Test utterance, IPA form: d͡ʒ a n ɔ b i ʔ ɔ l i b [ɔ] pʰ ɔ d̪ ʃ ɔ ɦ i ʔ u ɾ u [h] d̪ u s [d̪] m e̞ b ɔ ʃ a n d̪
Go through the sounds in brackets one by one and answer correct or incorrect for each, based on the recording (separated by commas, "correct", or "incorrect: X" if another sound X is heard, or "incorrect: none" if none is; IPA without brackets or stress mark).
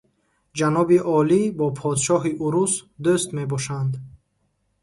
correct, incorrect: s, incorrect: t̪